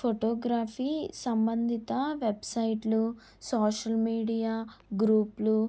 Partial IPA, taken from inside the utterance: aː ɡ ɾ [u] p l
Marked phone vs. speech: incorrect: uː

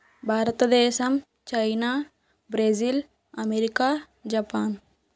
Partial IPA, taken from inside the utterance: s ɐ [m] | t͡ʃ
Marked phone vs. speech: correct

